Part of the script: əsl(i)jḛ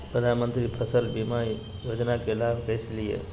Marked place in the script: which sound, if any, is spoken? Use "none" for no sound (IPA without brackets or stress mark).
i